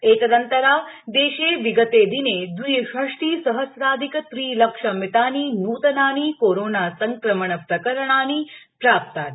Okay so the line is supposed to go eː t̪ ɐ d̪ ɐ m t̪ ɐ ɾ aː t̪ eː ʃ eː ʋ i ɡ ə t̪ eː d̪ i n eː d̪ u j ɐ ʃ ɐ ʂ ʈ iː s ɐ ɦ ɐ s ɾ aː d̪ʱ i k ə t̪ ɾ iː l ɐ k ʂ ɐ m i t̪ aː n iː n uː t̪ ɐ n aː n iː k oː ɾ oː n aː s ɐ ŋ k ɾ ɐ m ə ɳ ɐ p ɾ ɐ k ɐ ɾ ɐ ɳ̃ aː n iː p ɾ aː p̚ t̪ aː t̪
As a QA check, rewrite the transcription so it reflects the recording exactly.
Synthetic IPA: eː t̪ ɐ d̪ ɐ n t̪ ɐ ɾ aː d̪ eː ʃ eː ʋ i ɡ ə t̪ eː d̪ i n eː d̪ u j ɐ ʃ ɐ ʂ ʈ iː s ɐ ɦ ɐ s ɾ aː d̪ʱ i k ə t̪ ɾ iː l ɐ k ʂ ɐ m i t̪ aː n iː n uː t̪ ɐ n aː n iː k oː ɾ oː n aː s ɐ ŋ k ɾ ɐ m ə ɳ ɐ p ɾ ɐ k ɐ ɾ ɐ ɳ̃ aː n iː p ɾ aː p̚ t̪ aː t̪

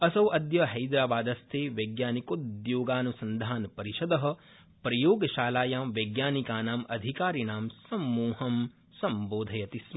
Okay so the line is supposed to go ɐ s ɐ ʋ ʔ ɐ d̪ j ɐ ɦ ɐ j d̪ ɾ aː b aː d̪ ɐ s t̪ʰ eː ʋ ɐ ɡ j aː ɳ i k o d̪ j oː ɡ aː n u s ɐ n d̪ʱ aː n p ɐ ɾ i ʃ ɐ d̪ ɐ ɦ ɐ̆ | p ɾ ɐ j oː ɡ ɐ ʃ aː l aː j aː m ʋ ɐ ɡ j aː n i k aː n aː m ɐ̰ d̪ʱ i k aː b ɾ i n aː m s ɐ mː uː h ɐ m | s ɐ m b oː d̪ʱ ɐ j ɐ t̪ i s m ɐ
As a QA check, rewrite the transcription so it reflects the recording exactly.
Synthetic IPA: ɐ s ɐ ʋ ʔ ɐ d̪ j ɐ ɦ ɐ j d̪ ɾ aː b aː d̪ ɐ s t̪ʰ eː ʋ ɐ ɡ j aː n i k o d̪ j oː ɡ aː n u s ɐ n d̪ʱ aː n p ɐ ɾ i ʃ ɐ d̪ ɐ ɦ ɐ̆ | p ɾ ɐ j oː ɡ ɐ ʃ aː l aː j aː m ʋ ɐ ɡ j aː n i k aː n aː m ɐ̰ d̪ʱ i k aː ɾ i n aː m s ɐ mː uː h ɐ m | s ɐ m b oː d̪ʱ ɐ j ɐ t̪ i s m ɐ

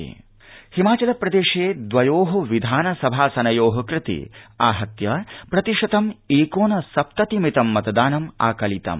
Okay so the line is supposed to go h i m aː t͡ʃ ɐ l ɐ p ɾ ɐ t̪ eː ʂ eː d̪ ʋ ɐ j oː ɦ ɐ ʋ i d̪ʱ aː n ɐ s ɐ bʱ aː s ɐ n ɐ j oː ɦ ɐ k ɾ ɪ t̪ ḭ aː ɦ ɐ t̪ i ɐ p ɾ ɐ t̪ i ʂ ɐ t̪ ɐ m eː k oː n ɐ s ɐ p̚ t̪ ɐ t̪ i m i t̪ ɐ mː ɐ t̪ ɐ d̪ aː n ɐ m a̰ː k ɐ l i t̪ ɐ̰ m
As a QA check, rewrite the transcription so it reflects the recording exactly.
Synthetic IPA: h i m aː t͡ʃ ɐ l ɐ p ɾ ɐ d̪ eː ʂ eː d̪ ʋ ɐ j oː ɦ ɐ ʋ i d̪ʱ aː n ɐ s ɐ bʱ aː s ɐ n ɐ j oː ɦ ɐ k ɾ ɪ t̪ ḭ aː ɦ ɐ t̪ j ɐ p ɾ ɐ t̪ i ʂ ɐ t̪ ɐ m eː k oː n ɐ s ɐ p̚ t̪ ɐ t̪ i m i t̪ ɐ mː ɐ t̪ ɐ d̪ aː n ɐ m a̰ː k ɐ l i t̪ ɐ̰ m

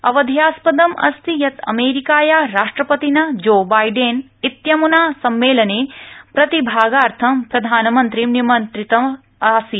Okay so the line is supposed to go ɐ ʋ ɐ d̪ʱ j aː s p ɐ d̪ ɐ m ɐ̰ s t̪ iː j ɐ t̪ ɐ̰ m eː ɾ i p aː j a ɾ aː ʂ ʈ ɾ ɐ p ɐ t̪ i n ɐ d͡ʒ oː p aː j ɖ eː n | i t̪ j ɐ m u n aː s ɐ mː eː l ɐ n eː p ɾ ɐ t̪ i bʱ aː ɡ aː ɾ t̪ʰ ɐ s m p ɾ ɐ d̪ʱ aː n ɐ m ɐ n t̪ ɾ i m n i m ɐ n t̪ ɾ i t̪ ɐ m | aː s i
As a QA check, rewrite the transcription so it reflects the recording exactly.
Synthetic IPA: ɐ ʋ ɐ d̪ʱ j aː s p ɐ d̪ ɐ m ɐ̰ s t̪ i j ɐ t̪ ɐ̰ m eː ɾ i k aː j a ɾ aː ʂ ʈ ɾ ɐ p ɐ t̪ i n ɐ d͡ʒ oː b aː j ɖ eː n | i t̪ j ɐ m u n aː s ɐ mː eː l ɐ n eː p ɾ ɐ t̪ i bʱ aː ɡ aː ɾ t̪ʰ ɐ m p ɾ ɐ d̪ʱ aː n ɐ m ɐ n t̪ ɾ i m n i m ɐ n t̪ ɾ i t̪ ɐ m | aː s i

